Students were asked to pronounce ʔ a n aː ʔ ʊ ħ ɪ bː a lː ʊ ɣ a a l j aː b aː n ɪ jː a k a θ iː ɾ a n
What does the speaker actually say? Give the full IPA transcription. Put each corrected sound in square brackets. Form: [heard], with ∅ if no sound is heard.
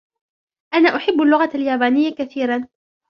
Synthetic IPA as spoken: ʔ a n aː ʔ ʊ ħ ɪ bː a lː ʊ ɣ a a l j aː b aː n ɪ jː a k a θ iː ɾ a n